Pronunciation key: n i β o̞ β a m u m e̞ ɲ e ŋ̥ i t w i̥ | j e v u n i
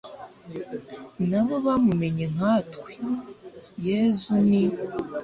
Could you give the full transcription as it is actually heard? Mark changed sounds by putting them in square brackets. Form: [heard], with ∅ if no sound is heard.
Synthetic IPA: n [a] β o̞ β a m u m e̞ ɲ e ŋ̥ [a] t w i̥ | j e [z] u n i